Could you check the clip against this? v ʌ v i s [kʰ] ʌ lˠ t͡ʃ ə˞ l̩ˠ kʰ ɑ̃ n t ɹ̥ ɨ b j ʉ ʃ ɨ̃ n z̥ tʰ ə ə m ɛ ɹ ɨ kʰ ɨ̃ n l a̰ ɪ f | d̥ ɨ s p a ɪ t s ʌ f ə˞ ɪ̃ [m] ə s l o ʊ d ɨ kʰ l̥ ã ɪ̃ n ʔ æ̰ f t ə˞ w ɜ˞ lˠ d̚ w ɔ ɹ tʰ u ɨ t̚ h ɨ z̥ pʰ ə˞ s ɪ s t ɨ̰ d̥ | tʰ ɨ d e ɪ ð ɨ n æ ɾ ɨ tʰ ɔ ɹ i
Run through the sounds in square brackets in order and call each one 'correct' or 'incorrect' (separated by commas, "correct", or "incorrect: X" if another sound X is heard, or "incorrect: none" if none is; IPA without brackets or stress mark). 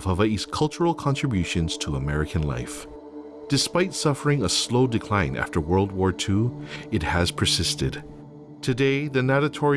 correct, incorrect: ŋ